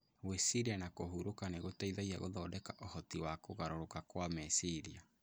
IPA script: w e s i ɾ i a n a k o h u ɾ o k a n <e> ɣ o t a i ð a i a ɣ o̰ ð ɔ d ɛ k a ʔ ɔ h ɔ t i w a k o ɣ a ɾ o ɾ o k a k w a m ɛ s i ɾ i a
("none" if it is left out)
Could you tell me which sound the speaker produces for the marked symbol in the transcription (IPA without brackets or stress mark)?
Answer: e